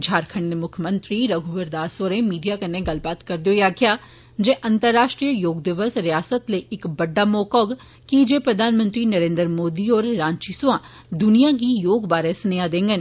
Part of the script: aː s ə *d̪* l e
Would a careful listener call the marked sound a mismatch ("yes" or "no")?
yes